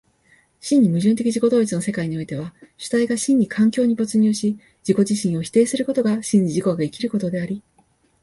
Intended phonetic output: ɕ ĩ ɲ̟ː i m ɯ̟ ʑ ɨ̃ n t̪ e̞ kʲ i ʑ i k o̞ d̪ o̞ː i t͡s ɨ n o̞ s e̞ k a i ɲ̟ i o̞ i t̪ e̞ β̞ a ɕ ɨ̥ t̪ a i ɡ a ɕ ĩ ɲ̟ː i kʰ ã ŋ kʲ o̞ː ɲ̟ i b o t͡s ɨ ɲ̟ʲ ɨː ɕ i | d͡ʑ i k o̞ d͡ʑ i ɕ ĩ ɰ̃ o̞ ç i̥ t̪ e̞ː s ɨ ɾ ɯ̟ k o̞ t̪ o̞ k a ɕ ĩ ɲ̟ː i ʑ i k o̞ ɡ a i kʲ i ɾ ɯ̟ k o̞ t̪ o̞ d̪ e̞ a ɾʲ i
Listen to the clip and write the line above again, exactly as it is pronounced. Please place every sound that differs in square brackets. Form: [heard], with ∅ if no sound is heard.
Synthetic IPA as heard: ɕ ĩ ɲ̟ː i m ɯ̟ ʑ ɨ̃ n t̪ e̞ kʲ i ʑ i k o̞ d̪ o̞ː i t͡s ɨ n o̞ s e̞ k a i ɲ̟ i o̞ i t̪ e̞ β̞ a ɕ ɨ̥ t̪ a i ɡ a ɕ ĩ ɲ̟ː i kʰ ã ŋ kʲ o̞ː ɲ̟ i b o t͡s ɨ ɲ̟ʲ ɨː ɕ i | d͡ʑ i k o̞ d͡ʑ i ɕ ĩ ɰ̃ o̞ ç i̥ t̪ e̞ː s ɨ ɾ ɯ̟ k o̞ t̪ o̞ [ɡ] a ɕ ĩ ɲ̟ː i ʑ i k o̞ ɡ a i kʲ i ɾ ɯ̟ k o̞ t̪ o̞ d̪ e̞ a ɾʲ i

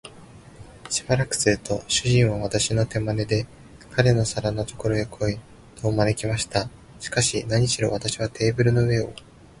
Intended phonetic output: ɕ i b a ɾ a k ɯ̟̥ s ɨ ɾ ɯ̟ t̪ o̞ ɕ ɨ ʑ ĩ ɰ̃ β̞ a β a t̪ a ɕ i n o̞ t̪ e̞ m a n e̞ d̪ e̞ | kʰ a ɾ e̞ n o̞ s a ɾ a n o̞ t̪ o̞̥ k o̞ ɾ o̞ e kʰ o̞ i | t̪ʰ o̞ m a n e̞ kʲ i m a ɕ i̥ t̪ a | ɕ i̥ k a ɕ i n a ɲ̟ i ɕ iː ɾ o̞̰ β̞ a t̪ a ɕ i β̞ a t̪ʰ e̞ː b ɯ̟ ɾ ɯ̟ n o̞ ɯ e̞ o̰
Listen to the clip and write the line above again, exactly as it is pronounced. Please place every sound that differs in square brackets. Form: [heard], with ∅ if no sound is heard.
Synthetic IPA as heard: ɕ i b a ɾ a k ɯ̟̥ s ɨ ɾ ɯ̟ t̪ o̞ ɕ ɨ ʑ ĩ ɰ̃ β̞ a β a t̪ a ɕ i n o̞ t̪ e̞ m a n e̞ d̪ e̞ | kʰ a ɾ e̞ n o̞ s a ɾ a n o̞ t̪ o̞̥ k o̞ ɾ o̞ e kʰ o̞ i | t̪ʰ o̞ m a n e̞ kʲ i m a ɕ i̥ t̪ a | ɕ i̥ k a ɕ i n a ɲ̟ i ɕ [i] ɾ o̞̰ β̞ a t̪ a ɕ i β̞ a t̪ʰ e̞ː b ɯ̟ ɾ ɯ̟ n o̞ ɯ e̞ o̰

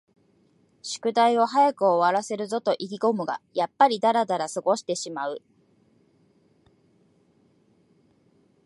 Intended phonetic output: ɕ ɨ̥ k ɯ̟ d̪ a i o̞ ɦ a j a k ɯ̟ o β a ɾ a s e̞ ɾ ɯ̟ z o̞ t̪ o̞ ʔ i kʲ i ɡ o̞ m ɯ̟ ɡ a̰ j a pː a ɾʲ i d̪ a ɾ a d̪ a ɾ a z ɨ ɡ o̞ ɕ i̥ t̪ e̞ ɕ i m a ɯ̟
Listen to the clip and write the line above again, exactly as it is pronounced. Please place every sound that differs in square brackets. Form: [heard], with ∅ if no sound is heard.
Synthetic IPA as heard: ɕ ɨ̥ k ɯ̟ d̪ a i o̞ ɦ a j a k ɯ̟ o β a ɾ a s e̞ ɾ ɯ̟ z o̞ t̪ o̞ ʔ i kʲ i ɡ o̞ m ɯ̟ ɡ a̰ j a pː a ɾʲ i d̪ a ɾ a d̪ a ɾ a [s] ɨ ɡ o̞ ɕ i̥ t̪ e̞ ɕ i m a ɯ̟

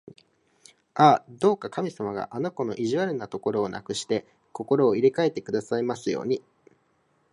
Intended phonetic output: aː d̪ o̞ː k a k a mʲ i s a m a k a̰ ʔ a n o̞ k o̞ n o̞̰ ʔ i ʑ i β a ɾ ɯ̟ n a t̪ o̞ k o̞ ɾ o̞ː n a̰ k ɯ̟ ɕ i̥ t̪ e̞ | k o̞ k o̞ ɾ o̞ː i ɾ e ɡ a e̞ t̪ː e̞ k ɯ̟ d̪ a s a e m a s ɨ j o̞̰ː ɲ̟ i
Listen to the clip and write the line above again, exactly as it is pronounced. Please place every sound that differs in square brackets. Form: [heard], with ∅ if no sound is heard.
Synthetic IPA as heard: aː d̪ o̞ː k a k a mʲ i s a m a [ɡ] a̰ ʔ a n o̞ k o̞ n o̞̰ ʔ i ʑ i β a ɾ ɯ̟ n a t̪ o̞ k o̞ ɾ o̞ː n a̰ k ɯ̟ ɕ i̥ t̪ e̞ | k o̞ k o̞ ɾ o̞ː i ɾ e [k] a e̞ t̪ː e̞ k ɯ̟ d̪ a s a [i] m a s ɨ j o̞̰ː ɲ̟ i

